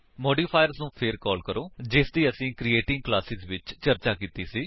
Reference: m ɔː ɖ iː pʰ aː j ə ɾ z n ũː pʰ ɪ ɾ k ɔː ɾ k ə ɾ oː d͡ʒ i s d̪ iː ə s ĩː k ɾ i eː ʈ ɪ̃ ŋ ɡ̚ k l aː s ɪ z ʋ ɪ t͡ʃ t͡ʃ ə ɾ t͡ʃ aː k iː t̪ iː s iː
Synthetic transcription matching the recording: m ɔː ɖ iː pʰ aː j ə ɾ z n ũː pʰ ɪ ɾ k ɔː l k ə ɾ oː d͡ʒ ɪ s d̪ iː ə s ĩː k ɾ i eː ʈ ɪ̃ ŋ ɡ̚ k l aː s ɪ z ʋ ɪ t͡ʃ t͡ʃ ə ɾ t͡ʃ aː k iː t̪ iː s iː